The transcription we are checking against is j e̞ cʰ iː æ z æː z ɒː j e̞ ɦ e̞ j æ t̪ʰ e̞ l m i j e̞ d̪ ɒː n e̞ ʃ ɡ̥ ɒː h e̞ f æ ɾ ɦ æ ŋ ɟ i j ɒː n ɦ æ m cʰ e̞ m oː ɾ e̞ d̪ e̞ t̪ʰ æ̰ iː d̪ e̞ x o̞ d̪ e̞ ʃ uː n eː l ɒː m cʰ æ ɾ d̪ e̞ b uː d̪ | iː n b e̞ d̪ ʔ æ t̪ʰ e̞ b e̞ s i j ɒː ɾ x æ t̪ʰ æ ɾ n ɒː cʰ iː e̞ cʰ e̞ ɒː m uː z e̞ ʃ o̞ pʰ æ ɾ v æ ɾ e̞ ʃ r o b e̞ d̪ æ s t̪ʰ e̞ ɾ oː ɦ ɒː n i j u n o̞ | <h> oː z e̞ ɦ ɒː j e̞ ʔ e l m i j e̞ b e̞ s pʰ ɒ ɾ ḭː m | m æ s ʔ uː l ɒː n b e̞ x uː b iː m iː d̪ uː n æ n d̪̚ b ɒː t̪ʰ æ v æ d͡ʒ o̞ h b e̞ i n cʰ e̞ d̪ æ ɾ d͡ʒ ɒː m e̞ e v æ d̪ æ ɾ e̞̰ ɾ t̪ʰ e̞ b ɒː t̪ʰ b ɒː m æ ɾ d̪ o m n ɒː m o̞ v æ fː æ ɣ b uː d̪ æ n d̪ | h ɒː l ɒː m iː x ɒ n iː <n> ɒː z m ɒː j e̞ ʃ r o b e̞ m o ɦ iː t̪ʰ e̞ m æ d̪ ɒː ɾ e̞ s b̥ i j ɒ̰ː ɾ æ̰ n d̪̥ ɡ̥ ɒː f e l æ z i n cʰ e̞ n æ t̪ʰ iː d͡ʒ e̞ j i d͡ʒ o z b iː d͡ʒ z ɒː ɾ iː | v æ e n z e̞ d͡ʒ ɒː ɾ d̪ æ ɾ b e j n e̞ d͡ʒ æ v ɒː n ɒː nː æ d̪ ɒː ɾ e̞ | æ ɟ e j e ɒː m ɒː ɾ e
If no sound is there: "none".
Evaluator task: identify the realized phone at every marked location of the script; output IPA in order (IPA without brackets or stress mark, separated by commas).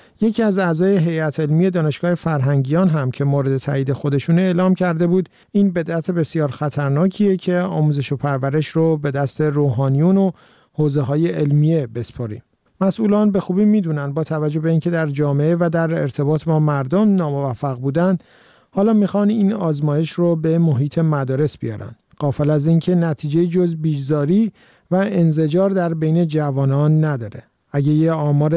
h, n